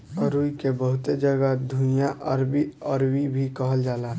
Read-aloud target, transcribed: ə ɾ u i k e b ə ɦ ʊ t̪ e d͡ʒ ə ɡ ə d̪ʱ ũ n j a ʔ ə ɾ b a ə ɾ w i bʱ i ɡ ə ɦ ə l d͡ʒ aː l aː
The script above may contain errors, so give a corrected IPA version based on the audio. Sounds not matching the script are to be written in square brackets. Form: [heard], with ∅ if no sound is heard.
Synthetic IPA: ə ɾ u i k e b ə ɦ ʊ t̪ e d͡ʒ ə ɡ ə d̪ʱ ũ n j a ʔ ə ɾ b [i] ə ɾ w i bʱ i [k] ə ɦ ə l d͡ʒ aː l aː